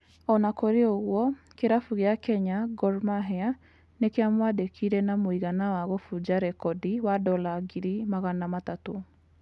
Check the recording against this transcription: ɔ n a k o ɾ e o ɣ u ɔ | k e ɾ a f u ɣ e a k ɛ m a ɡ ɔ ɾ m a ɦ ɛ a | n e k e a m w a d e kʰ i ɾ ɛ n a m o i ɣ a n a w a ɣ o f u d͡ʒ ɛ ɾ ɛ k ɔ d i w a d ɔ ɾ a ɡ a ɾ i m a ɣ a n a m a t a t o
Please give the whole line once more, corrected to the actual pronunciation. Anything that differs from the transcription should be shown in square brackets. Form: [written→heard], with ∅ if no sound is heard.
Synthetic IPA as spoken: ɔ n a k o ɾ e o ɣ [u→w] ɔ | k e ɾ a f u ɣ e a k ɛ [m→ɲ] a ɡ ɔ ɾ m a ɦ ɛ a | n e k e a m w a d e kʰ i ɾ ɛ n a m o i ɣ a n a w a ɣ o f u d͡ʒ [ɛ→a] ɾ ɛ k ɔ d i w a d ɔ [ɾ→l] a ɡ [a→i] ɾ i m a ɣ a n a m a t a t o